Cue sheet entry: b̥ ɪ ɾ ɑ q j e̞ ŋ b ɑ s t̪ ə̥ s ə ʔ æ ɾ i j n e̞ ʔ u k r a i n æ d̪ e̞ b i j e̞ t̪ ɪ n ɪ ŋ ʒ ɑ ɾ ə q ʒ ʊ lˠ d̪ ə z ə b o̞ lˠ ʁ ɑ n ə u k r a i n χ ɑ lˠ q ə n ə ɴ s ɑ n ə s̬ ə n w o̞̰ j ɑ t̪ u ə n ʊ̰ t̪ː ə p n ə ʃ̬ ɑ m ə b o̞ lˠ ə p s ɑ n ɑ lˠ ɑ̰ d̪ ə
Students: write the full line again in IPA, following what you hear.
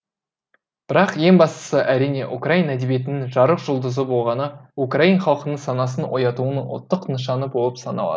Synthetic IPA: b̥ ɪ ɾ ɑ q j e̞ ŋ b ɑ s t̪ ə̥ s ə ʔ æ ɾ i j n e̞ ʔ u k r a i n æ d̪ e̞ b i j e̞ t̪ ɪ n ɪ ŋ ʒ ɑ ɾ ə q ʒ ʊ lˠ d̪ ə z ə b o̞ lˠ ʁ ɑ n ə u k r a i n χ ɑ lˠ q ə n ə ɴ s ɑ n ɑ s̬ ə n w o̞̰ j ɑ t̪ u ə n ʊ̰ t̪ː ə q n ə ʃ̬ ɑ n ə b o̞ lˠ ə p s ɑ n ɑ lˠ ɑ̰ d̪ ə